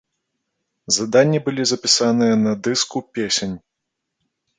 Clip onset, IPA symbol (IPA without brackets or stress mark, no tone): z